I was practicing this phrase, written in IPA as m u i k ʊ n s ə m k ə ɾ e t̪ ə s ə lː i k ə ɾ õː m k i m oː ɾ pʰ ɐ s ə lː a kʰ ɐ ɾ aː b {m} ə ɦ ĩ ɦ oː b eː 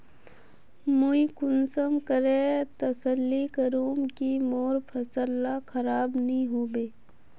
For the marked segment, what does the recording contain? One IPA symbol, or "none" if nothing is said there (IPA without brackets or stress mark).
n